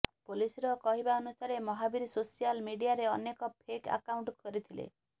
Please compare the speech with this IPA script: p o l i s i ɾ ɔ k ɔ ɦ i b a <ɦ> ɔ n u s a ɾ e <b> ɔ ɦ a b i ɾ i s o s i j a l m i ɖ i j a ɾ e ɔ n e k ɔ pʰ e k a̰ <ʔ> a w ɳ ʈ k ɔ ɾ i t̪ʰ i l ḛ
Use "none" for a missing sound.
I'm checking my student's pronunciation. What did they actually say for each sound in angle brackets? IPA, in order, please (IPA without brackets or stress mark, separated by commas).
none, m, k